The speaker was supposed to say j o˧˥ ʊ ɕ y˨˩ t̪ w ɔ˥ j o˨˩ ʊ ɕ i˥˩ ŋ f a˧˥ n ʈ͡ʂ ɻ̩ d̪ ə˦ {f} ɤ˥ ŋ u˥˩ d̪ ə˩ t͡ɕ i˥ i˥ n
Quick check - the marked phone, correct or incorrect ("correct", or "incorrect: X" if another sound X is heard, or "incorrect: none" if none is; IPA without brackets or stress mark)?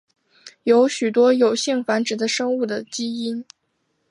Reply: incorrect: ʂ